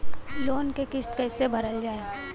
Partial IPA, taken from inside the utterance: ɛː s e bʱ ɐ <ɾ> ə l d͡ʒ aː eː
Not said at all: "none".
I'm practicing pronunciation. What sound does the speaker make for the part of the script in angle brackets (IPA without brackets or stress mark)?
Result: ɾ